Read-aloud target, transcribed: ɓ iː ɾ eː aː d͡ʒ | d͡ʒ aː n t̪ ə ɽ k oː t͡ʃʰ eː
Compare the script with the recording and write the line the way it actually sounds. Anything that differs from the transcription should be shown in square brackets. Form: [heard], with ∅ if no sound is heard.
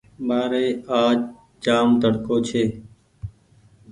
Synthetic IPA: ɓ [aː] ɾ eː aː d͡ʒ | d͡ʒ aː [m] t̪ ə ɽ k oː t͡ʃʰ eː

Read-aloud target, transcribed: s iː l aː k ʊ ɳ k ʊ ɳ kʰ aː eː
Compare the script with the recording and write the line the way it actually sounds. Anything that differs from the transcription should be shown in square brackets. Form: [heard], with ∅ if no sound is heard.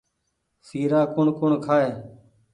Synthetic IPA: s iː [ɾ] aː k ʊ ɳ k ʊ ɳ kʰ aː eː

